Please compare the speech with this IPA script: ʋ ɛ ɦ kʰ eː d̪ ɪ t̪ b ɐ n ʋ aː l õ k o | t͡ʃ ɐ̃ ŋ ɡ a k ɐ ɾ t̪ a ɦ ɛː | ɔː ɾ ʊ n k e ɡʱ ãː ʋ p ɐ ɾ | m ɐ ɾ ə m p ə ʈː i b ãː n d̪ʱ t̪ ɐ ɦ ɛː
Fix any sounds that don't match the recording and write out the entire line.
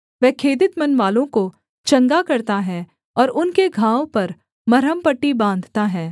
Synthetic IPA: ʋ ɛ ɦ kʰ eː d̪ ɪ t̪ m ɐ n ʋ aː l õ k o | t͡ʃ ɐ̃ ŋ ɡ a k ɐ ɾ t̪ a ɦ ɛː | ɔː ɾ ʊ n k e ɡʱ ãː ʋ p ɐ ɾ | m ɐ ɾ ə m p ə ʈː i b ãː n d̪ʱ t̪ a ɦ ɛː